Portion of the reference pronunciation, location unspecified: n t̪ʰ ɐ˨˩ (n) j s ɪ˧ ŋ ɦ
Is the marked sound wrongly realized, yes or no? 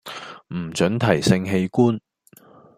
yes